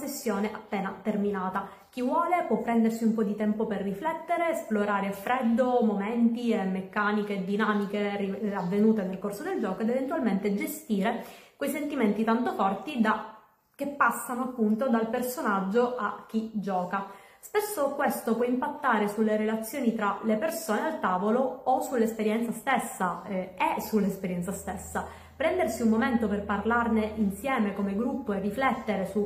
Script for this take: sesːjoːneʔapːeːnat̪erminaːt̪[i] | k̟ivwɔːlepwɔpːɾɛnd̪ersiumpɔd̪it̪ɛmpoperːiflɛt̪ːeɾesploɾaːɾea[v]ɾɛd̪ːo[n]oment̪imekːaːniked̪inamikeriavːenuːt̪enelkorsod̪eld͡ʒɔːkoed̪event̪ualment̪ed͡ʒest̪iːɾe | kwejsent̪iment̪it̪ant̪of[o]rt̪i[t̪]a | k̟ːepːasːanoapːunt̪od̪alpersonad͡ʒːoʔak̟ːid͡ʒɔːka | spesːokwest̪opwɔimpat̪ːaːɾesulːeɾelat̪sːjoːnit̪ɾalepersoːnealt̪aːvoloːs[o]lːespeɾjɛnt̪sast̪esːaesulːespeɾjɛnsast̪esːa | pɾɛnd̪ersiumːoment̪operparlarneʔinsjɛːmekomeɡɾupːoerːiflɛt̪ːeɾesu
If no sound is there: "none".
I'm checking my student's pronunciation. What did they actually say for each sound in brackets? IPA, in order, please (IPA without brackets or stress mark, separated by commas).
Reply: a, f, m, ɔ, d̪, u